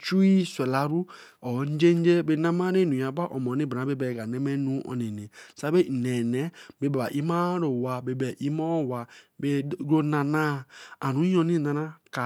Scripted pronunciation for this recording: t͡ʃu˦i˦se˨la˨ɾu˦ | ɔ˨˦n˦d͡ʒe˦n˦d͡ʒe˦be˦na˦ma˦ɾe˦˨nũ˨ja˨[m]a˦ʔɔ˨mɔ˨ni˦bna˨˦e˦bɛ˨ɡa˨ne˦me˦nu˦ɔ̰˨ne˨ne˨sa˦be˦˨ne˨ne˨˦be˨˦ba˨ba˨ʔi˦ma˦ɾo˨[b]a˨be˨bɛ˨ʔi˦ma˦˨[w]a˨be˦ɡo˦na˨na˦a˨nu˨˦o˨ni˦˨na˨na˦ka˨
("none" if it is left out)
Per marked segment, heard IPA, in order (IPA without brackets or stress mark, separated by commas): b, w, w